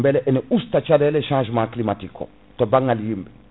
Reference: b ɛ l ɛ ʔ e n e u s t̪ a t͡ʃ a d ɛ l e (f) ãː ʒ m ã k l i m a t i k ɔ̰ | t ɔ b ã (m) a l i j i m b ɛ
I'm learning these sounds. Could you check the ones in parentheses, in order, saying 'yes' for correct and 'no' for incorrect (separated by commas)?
no, no